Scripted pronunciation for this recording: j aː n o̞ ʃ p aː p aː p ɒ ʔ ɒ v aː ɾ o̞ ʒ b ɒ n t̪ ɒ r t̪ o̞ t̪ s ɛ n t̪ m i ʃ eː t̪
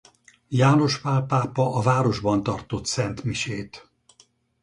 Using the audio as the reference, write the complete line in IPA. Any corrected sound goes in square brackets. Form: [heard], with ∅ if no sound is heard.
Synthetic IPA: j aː n o̞ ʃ p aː p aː p ɒ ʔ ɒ v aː ɾ o̞ ʒ b ɒ n t̪ ɒ r t̪ o̞ t̪ s ɛ n t̪ m i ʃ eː t̪